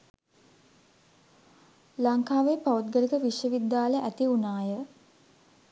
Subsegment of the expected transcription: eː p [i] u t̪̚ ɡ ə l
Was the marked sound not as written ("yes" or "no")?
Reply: yes